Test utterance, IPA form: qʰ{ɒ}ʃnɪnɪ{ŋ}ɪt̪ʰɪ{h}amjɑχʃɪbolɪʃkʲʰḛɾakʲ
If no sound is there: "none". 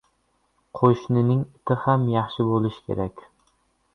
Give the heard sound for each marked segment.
o, ŋ, h

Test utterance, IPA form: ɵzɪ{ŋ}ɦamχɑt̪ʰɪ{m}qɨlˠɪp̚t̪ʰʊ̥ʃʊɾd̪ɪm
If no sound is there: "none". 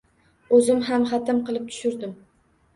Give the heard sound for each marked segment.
m, m

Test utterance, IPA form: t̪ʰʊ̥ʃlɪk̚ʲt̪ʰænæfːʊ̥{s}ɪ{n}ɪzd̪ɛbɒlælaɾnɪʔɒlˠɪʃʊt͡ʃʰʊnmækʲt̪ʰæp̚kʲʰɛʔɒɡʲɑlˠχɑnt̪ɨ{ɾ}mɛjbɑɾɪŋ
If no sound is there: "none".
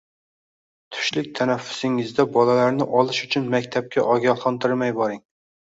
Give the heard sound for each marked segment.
s, ŋ, ɾ

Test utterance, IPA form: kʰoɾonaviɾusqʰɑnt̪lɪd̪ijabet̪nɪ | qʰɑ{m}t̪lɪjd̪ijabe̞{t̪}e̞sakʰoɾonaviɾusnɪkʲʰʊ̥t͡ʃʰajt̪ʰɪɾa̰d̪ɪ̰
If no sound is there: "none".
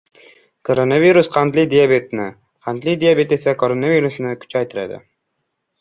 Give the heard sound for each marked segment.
n, t̪

